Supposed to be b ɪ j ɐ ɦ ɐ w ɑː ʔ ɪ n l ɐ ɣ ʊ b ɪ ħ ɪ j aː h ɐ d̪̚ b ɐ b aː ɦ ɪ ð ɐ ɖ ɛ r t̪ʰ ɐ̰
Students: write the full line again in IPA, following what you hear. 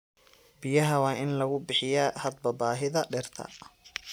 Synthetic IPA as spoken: b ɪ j ɐ ɦ ɐ w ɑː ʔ ɪ n l ɐ ɣ ʊ b ɪ ħ ɪ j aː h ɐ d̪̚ b ɐ b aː ɦ ɪ ð ɐ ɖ ɛ r t̪ʰ ɐ̰